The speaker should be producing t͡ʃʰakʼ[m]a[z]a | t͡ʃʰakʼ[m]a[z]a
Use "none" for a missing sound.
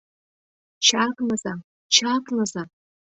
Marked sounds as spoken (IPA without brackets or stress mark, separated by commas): n, z, n, z